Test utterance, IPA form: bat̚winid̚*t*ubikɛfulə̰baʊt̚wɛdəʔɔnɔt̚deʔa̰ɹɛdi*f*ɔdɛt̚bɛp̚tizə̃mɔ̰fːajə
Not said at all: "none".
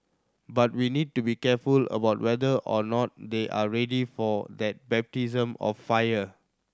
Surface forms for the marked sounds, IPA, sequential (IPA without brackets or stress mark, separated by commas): t, f